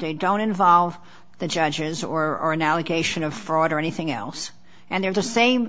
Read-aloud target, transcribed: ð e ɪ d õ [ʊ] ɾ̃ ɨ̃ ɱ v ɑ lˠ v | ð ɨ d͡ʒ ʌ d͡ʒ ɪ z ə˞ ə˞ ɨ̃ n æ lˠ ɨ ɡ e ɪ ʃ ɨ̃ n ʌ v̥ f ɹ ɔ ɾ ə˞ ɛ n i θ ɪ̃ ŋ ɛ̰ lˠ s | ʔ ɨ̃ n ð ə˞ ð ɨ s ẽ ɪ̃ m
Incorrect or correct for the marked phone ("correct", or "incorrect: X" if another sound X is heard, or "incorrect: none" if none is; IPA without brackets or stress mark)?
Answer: incorrect: ʊ̃